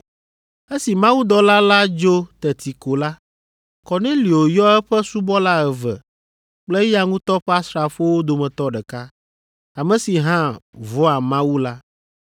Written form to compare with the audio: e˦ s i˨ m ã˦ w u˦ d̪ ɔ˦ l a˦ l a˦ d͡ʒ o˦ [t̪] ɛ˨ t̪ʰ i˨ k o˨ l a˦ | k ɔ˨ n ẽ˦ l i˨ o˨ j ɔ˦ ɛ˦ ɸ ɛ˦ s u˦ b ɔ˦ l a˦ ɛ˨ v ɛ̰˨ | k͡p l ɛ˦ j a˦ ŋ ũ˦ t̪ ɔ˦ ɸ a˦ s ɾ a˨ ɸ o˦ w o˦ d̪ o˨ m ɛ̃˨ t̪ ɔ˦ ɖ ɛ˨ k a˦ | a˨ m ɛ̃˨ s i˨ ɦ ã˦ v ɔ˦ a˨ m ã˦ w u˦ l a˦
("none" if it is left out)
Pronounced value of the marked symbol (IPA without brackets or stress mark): t̪